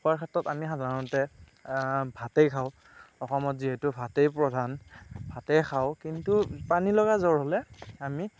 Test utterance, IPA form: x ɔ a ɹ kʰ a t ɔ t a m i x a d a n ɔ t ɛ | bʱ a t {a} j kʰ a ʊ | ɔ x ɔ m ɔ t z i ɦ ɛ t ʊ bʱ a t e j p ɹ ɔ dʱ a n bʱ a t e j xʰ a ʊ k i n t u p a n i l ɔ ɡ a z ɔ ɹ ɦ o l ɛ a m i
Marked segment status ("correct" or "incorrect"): incorrect